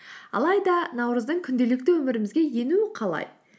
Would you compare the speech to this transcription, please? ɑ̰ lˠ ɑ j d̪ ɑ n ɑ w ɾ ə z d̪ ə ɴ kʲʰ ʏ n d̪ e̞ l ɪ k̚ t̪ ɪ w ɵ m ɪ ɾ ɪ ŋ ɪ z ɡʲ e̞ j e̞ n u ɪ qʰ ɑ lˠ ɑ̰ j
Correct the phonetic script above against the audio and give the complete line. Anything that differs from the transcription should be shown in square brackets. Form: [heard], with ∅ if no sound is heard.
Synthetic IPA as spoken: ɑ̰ lˠ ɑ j d̪ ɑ n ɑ w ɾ ə z d̪ ə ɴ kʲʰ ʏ n d̪ e̞ l ɪ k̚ t̪ ɪ w ɵ m ɪ ɾ ɪ [m] ɪ z ɡʲ e̞ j e̞ n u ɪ qʰ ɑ lˠ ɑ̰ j